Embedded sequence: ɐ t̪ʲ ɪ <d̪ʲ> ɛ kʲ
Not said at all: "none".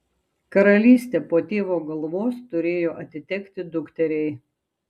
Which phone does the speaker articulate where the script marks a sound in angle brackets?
t̪ʲ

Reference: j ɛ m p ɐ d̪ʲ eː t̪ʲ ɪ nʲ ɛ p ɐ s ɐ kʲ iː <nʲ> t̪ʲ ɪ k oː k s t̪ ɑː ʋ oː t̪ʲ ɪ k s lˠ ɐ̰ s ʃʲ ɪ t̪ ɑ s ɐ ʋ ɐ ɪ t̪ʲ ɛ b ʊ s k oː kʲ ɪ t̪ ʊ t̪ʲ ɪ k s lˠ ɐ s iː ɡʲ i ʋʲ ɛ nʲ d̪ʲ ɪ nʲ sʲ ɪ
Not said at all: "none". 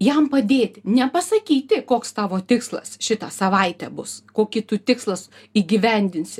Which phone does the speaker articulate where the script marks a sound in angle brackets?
none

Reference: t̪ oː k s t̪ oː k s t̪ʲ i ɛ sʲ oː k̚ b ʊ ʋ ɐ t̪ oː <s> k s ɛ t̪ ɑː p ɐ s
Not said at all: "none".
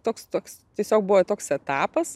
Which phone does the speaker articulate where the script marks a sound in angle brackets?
none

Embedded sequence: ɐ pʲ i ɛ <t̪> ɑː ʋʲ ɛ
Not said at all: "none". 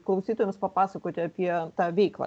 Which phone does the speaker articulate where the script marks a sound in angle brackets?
t̪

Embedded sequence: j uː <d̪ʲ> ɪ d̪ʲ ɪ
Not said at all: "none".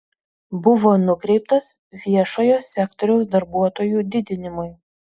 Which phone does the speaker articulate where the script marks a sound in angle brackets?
d̪ʲ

